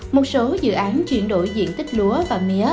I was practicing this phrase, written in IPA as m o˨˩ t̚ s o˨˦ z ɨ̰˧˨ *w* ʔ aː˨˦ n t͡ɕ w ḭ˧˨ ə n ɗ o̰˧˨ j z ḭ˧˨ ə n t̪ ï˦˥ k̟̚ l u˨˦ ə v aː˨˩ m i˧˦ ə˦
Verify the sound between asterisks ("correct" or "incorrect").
incorrect